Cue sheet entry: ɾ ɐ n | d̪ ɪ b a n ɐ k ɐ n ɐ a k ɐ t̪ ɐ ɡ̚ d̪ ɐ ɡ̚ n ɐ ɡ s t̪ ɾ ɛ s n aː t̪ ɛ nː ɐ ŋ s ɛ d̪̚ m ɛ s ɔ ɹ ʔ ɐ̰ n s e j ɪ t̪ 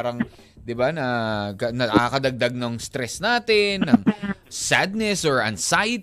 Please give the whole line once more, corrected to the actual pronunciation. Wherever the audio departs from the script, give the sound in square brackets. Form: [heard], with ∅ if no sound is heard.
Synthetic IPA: ɾ ɐ [ŋ] | d̪ ɪ b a n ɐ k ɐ n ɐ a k ɐ [d̪] ɐ ɡ̚ d̪ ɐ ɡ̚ n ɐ [ŋ] s t̪ ɾ ɛ s n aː t̪ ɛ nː ɐ ŋ s [a] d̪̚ [n] ɛ s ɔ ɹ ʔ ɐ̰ n s [a] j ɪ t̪